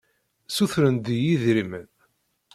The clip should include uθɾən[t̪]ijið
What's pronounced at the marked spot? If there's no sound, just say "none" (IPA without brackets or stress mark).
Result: d̪